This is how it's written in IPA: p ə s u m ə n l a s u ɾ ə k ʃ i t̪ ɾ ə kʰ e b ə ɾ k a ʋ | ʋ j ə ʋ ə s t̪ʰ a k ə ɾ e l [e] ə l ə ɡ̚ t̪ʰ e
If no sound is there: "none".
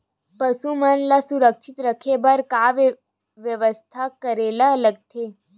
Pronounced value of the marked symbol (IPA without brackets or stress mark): a